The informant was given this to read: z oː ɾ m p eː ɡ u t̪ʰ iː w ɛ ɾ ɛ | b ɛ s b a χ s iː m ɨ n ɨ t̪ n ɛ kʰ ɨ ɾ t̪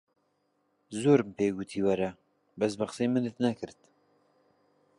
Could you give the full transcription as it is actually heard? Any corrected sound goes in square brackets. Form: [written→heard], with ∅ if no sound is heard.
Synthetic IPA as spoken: z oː ɾ m p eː ɡ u t̪ʰ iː w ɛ ɾ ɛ | b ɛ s b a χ s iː m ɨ n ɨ t̪ n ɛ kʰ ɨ ɾ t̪